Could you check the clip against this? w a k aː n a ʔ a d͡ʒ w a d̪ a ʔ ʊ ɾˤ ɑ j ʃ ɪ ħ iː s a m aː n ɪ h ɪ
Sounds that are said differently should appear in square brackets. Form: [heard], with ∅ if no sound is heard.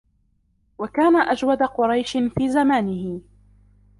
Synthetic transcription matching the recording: w a k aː n a ʔ a d͡ʒ w a d̪ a [q] ʊ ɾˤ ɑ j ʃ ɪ [f] iː [z] a m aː n ɪ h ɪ